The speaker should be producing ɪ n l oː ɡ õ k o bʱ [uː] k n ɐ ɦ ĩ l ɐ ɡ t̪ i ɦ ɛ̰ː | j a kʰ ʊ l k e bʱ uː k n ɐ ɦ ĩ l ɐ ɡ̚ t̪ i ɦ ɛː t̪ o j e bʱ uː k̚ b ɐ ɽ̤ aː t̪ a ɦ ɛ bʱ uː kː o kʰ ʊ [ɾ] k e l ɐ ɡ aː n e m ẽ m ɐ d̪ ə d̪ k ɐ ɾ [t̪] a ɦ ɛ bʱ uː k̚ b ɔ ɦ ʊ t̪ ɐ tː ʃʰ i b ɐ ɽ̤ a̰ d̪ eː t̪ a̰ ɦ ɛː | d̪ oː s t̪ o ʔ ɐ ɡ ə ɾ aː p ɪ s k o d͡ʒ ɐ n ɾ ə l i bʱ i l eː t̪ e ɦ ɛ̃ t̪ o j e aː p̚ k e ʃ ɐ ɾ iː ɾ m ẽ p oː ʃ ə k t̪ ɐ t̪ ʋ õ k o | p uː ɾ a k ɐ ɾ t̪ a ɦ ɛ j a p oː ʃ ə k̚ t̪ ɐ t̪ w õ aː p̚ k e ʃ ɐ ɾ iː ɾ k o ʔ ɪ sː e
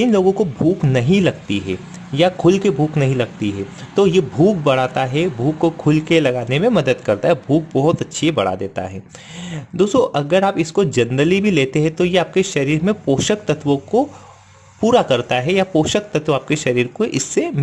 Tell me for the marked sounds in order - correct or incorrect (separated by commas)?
correct, incorrect, correct